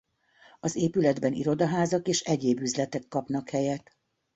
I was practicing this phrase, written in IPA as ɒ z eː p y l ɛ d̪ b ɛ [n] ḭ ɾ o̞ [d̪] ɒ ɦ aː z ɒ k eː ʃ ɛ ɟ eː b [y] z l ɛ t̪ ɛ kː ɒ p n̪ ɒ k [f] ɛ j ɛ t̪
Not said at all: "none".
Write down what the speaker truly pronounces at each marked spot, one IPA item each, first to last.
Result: n, d̪, y, h

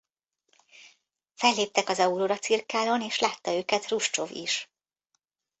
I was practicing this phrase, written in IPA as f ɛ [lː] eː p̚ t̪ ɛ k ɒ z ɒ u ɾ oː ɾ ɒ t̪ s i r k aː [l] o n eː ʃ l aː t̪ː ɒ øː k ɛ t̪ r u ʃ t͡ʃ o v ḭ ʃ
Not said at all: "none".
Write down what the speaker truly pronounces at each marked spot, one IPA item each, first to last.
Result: lː, l

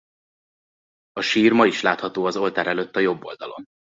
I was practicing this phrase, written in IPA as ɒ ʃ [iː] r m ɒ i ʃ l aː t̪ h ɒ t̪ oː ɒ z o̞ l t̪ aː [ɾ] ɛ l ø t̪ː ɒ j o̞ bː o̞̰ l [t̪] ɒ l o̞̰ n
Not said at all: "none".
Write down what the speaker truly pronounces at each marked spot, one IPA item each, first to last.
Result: iː, ɾ, d̪

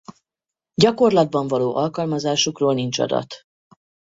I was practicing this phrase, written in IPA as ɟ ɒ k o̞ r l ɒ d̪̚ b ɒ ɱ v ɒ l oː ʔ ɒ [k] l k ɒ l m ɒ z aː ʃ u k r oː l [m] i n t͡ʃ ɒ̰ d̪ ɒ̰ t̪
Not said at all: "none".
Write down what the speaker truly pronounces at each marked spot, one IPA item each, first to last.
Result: none, n

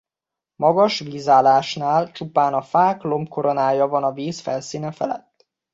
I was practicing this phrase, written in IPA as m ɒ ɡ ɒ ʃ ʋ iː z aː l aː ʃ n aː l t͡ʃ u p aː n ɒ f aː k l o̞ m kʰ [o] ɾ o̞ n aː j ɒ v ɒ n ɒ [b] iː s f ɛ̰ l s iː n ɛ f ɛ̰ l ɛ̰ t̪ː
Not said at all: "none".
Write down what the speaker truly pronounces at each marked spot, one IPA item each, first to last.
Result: o, v

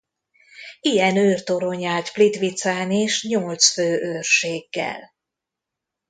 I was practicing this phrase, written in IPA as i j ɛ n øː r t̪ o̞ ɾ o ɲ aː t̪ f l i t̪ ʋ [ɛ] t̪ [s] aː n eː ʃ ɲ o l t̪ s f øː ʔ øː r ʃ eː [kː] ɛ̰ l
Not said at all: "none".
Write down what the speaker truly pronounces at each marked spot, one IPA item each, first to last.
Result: i, s, ɡː

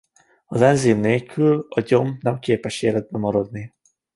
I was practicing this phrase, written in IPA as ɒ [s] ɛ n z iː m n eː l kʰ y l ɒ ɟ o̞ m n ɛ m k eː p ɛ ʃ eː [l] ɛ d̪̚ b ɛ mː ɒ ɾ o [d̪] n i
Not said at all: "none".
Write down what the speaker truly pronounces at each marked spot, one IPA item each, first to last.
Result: z, l, d̪

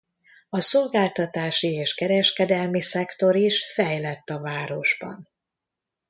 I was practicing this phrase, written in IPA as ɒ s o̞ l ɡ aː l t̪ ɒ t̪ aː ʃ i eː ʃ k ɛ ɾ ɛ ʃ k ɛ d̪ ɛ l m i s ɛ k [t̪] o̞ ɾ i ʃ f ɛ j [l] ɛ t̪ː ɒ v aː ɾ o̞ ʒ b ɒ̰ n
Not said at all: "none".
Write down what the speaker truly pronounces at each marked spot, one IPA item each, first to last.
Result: t̪, l

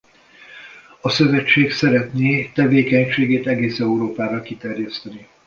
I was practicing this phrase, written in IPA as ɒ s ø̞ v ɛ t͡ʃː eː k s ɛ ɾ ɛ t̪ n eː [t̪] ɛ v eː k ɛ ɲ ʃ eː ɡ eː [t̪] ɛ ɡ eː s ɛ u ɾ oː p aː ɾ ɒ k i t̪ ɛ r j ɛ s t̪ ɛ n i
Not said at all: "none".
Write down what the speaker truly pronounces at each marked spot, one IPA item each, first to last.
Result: t̪, t̪

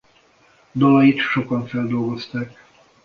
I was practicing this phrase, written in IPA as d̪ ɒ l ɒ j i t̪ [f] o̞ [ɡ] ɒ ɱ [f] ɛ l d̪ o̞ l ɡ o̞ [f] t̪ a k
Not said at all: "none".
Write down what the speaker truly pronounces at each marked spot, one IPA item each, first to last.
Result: ʃ, k, f, s

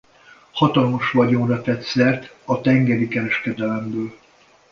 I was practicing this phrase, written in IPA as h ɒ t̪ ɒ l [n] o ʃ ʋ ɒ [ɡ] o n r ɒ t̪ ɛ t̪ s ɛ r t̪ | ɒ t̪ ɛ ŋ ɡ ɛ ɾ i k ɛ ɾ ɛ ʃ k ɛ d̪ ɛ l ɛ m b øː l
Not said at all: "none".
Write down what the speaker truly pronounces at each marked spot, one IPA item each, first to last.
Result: m, ɟ

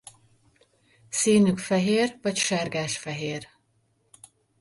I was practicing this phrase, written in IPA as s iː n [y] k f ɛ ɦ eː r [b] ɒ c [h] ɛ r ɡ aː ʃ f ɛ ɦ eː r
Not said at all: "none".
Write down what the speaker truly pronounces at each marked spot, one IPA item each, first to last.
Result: y, v, ʃ

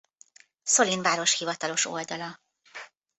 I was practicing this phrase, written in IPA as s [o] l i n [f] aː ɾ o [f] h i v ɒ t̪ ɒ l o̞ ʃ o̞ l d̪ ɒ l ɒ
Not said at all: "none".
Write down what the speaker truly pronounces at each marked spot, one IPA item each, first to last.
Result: o, v, ʃ

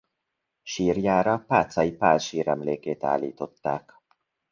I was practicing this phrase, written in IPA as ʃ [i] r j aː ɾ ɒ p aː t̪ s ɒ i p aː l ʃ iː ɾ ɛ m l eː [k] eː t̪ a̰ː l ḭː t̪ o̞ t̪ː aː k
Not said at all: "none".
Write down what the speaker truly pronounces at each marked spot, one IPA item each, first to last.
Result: iː, k

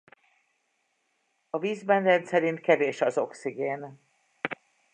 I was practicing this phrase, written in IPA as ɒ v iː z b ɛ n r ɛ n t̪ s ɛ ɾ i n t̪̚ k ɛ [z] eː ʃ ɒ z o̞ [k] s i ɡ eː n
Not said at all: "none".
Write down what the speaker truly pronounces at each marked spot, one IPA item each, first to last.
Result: v, k

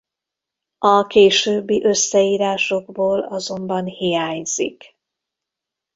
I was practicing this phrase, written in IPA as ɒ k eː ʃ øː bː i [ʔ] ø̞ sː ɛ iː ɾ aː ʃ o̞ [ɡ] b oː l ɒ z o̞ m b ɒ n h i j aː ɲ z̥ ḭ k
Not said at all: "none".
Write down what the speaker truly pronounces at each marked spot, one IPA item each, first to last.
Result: ʔ, ɡ

